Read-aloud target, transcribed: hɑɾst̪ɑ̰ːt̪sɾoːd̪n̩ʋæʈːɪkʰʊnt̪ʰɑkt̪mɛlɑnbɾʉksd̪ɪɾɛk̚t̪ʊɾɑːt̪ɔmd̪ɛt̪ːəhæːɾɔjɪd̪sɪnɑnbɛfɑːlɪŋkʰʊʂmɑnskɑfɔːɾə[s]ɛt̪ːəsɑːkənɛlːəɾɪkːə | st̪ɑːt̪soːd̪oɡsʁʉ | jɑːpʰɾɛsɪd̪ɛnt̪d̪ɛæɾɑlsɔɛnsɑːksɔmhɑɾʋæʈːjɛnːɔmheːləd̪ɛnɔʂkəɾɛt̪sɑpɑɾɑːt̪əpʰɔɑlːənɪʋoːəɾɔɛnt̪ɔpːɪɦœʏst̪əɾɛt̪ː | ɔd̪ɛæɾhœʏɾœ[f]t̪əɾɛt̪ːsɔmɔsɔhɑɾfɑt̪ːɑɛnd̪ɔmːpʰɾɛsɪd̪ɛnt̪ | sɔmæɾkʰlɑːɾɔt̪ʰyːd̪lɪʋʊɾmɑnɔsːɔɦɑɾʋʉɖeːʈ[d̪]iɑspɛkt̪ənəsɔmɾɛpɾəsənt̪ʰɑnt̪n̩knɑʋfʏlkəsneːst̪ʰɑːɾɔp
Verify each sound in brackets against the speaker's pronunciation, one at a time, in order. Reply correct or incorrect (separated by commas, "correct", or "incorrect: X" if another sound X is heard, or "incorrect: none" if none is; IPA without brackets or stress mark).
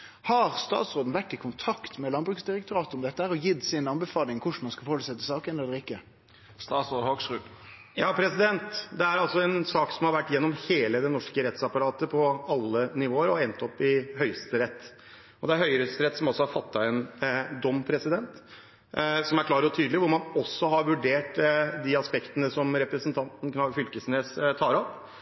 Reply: correct, incorrect: s, correct